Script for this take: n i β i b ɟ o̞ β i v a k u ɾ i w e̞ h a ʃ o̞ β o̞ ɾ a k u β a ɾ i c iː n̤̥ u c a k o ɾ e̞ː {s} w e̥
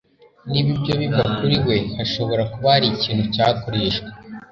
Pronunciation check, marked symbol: incorrect: ʃ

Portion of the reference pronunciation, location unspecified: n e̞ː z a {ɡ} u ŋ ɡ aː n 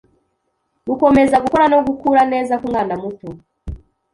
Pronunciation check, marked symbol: incorrect: k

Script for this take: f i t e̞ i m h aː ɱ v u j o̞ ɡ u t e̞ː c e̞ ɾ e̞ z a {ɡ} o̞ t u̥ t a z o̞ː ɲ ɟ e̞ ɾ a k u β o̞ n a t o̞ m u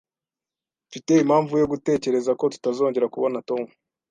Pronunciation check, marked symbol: incorrect: k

